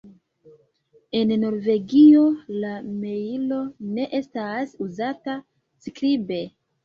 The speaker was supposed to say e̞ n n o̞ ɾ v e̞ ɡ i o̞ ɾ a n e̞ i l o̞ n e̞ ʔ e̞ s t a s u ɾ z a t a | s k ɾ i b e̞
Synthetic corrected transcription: e̞ n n o̞ ɾ v e̞ ɡ i o̞ l a m e̞ i l o̞ n e̞ ʔ e̞ s t a s u z a t a | s k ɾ i b e̞